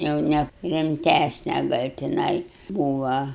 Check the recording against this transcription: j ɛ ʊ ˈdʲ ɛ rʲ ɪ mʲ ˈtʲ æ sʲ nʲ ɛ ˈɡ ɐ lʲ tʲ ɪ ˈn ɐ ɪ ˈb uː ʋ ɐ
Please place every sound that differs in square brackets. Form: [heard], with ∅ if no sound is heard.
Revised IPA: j ɛ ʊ [ˈnʲ] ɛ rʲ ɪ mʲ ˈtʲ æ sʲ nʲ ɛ ˈɡ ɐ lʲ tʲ ɪ ˈn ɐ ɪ ˈb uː ʋ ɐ